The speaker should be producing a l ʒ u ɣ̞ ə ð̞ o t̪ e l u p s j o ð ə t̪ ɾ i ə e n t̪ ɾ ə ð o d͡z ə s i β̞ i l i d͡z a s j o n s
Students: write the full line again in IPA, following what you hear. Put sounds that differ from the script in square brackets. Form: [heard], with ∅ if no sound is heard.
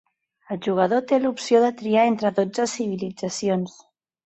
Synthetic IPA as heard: [ə] l ʒ u ɣ̞ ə ð̞ o t̪ e l u p s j o ð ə t̪ ɾ i [a] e n t̪ ɾ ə ð o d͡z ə s i β̞ i l i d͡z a s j o n s